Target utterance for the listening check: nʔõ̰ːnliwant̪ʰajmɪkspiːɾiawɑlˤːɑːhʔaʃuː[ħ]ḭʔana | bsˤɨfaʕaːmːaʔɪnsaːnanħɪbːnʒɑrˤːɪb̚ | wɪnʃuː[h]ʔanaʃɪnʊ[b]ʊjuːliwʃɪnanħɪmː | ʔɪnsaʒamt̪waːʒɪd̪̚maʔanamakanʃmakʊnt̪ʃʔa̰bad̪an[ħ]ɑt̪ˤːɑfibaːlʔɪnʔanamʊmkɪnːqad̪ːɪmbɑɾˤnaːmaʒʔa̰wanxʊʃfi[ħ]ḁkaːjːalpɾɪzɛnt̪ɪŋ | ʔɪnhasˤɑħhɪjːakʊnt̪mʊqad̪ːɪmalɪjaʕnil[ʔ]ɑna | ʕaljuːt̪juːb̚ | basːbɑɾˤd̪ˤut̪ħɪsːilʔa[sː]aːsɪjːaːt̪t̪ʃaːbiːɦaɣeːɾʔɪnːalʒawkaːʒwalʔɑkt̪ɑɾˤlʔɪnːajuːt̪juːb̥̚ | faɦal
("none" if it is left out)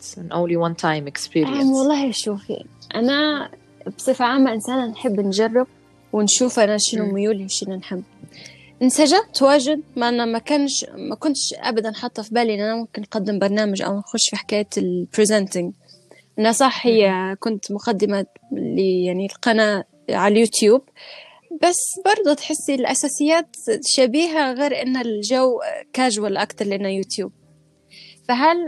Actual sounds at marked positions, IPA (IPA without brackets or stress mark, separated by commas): f, f, m, ħ, ħ, q, s